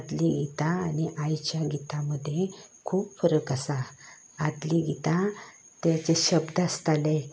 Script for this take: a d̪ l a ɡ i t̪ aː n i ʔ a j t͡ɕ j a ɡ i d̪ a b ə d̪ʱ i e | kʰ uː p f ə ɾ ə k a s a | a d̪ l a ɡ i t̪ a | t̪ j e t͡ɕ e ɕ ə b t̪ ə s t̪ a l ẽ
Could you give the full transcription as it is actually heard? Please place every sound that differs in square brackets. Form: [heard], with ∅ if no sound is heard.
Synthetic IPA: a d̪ l [i] ɡ i t̪ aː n i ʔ a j t͡ɕ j a ɡ i [t̪] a [m] ə d̪ʱ [j] e | kʰ uː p f ə ɾ ə k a s a | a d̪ l [i] ɡ i t̪ a | t̪ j [a] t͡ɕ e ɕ ə b [d̪] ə s t̪ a l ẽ

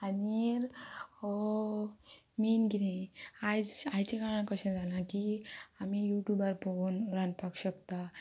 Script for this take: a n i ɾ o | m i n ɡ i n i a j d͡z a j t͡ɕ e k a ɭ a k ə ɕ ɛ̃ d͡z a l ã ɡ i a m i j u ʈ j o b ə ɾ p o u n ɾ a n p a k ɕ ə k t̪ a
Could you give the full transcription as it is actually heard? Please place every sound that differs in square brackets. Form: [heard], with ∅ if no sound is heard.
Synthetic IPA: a n i ɾ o | m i n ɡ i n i a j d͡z a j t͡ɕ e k a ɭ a k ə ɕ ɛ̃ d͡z a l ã [k] i a m i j u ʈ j [u] b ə ɾ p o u n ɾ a n p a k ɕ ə k t̪ a

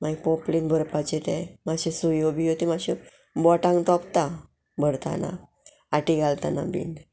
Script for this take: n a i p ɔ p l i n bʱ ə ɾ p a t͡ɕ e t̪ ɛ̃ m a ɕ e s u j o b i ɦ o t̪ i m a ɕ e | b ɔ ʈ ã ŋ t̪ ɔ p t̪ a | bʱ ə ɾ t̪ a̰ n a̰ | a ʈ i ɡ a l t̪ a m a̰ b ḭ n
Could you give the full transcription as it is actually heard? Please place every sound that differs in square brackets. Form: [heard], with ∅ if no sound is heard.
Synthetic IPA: [m] a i p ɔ p l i n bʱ ə ɾ p a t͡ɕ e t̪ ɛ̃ m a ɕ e s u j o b i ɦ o t̪ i m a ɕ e | b ɔ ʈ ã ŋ t̪ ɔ p t̪ a | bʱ ə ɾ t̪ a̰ n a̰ | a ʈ i ɡ a l t̪ a [n] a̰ b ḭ n

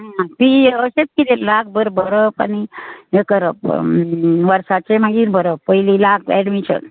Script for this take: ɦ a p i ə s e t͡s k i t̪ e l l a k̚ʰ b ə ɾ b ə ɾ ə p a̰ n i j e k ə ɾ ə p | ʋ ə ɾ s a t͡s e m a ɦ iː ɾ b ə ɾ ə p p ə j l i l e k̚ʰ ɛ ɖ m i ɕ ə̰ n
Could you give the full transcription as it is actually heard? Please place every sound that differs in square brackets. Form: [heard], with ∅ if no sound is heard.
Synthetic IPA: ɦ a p i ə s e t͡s k i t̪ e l l a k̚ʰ b ə ɾ b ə ɾ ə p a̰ n i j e k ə ɾ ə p | ʋ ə ɾ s a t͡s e m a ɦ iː ɾ b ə ɾ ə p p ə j l i l [a] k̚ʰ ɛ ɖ m i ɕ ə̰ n

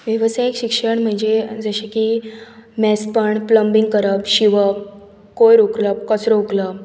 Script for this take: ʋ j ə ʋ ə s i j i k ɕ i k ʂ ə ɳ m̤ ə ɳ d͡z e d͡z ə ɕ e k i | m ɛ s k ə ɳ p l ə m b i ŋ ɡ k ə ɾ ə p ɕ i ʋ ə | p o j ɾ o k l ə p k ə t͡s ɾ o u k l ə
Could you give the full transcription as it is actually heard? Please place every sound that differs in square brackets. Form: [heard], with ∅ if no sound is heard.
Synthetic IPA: ʋ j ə ʋ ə s [a] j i k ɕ i k ʂ ə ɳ m̤ ə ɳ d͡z e d͡z ə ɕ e k i | m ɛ s [p] ə ɳ p l ə m b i ŋ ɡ k ə ɾ ə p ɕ i ʋ ə | [k] o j ɾ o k l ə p k ə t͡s ɾ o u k l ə

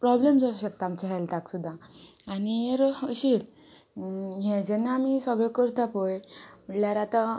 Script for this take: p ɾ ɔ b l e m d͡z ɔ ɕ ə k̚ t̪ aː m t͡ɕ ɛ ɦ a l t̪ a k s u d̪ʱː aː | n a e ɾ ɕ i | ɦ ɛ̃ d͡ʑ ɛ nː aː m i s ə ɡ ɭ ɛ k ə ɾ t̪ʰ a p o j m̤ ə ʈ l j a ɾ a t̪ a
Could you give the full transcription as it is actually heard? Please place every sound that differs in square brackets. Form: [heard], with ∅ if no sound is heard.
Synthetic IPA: p ɾ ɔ b l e m d͡z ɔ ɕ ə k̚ t̪ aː m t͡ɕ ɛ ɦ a l t̪ a k s u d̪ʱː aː | n [i] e ɾ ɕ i | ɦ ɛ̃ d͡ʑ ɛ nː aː m i s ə ɡ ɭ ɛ k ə ɾ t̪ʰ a p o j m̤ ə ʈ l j a ɾ a t̪ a

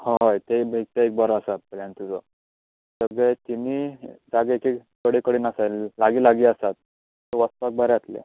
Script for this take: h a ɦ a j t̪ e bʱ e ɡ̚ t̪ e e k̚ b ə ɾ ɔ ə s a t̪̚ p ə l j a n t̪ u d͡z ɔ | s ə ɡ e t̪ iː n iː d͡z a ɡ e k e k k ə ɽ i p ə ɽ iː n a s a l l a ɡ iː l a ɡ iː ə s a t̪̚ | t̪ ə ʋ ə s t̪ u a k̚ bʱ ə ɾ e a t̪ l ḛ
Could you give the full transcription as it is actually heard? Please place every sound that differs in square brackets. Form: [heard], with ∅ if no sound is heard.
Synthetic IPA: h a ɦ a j t̪ e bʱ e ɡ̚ t̪ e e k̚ b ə ɾ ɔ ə s a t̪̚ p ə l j a n t̪ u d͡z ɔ | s ə ɡ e t̪ [i] n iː d͡z a ɡ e k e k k ə ɽ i [k] ə ɽ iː n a s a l l a ɡ iː l a ɡ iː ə s a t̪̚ | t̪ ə ʋ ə s t̪ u a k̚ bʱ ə ɾ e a t̪ l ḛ

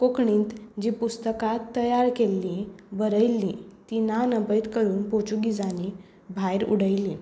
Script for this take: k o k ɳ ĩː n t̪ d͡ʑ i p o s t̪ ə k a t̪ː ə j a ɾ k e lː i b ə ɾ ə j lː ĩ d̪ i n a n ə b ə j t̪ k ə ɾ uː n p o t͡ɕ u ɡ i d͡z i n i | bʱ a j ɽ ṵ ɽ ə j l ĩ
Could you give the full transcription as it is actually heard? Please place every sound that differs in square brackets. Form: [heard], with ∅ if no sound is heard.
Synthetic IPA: k o k ɳ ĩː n t̪ d͡ʑ i p [u] s t̪ ə k a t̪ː ə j a ɾ k e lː i b ə ɾ ə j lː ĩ [t̪] i n a n ə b ə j t̪ k ə ɾ uː n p o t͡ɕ u ɡ i d͡z [a] n i | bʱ a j [ɾ] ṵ ɽ ə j l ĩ

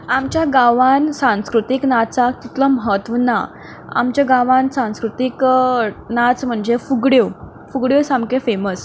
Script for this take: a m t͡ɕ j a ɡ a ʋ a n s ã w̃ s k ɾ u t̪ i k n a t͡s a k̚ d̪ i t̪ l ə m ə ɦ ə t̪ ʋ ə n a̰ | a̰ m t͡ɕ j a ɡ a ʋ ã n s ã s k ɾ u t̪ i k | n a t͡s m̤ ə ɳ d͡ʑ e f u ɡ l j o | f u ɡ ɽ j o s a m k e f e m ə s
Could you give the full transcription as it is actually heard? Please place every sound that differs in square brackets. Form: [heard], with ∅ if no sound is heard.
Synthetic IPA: a m t͡ɕ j a ɡ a ʋ a n s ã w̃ s k ɾ u t̪ i k n a t͡s a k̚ [t̪] i t̪ l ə m ə ɦ ə t̪ ʋ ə n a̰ | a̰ m t͡ɕ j a ɡ a ʋ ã n s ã s k ɾ u t̪ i k | n a t͡s m̤ ə ɳ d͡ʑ e f u ɡ [ɽ] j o | f u ɡ ɽ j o s a m k e f e m ə s

